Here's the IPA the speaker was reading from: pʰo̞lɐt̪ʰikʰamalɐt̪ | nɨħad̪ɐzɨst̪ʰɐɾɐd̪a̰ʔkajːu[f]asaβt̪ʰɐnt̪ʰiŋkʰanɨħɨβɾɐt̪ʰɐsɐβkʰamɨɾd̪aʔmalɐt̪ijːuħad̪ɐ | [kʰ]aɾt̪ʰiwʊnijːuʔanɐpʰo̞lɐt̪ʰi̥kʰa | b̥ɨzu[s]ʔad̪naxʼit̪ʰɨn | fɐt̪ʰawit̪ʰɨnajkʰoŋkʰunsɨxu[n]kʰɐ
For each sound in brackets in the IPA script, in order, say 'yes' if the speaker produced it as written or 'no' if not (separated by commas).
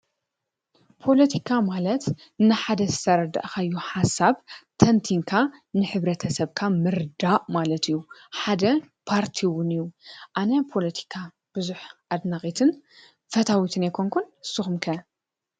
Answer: no, no, no, no